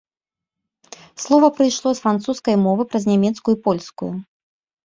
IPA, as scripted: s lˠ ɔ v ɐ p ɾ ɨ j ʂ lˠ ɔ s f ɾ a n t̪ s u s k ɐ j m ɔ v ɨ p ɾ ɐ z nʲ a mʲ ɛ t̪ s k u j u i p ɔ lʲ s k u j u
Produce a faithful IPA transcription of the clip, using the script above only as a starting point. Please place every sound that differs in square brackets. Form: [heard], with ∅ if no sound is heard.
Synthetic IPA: s lˠ ɔ v ɐ p ɾ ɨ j ʂ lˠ ɔ s f ɾ a n t̪ s u s k ɐ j m ɔ v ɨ p ɾ ɐ z nʲ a mʲ ɛ t̪ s k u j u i p ɔ lʲ s k u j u